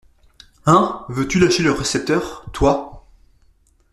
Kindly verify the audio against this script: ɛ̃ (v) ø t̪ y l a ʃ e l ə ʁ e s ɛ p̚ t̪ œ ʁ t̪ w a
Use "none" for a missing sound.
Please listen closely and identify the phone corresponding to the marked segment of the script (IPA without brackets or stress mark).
v